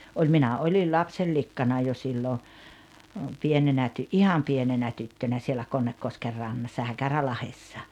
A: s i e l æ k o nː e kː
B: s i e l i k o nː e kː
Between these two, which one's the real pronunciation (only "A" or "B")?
A